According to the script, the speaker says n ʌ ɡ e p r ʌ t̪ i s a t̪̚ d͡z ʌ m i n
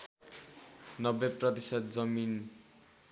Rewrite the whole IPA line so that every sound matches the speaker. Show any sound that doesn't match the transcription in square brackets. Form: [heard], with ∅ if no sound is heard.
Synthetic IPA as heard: n ʌ [b] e p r ʌ t̪ i s [ʌ] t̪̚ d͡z ʌ m i n